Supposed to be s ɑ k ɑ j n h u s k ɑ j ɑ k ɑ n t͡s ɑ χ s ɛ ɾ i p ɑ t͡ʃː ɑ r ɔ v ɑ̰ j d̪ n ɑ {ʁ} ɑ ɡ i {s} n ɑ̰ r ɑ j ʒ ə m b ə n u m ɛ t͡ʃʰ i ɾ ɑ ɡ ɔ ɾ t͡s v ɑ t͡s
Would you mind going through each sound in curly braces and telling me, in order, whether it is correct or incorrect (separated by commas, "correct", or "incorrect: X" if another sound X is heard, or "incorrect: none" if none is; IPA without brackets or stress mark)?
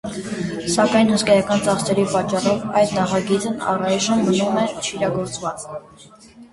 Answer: incorrect: χ, incorrect: t͡s